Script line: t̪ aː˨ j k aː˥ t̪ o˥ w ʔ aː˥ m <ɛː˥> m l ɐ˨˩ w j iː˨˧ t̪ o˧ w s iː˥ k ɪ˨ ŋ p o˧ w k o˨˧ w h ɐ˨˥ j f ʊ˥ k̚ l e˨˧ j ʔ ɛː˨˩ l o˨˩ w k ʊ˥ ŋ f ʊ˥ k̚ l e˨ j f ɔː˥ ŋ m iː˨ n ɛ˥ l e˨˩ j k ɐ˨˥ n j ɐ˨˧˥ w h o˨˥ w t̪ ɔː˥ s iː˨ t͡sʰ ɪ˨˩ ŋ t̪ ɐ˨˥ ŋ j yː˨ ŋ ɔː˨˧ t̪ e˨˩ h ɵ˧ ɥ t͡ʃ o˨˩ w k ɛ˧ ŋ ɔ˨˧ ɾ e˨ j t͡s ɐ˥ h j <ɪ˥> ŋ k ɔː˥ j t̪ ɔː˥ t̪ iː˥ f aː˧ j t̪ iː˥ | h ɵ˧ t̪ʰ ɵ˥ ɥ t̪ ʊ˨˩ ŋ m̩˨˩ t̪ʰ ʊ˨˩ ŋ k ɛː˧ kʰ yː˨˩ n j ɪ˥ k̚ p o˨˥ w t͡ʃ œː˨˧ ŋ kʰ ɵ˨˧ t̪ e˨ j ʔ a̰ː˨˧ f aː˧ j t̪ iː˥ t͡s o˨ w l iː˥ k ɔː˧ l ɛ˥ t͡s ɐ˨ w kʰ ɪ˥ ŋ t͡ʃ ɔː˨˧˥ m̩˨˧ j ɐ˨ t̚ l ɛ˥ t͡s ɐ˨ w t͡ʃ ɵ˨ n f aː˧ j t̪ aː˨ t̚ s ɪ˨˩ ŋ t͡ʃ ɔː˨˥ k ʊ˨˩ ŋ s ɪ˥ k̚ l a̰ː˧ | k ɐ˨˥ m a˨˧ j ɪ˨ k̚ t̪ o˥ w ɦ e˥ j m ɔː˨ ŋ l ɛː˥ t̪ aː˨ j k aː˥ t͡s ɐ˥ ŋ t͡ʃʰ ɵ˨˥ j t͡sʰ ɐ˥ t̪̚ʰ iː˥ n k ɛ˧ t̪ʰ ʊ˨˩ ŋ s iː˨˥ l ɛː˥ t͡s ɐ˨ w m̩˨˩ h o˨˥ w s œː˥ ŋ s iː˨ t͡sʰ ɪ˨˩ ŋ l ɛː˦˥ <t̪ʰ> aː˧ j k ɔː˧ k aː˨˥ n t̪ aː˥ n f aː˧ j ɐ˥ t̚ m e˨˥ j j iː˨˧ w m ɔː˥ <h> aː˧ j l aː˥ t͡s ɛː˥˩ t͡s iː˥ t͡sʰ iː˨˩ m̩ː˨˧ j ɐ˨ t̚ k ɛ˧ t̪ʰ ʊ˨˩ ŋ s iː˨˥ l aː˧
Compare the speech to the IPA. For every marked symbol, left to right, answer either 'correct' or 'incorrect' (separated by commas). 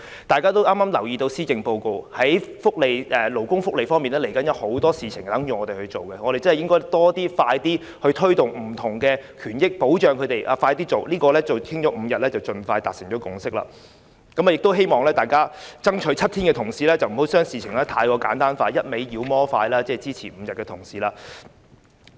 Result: incorrect, correct, correct, incorrect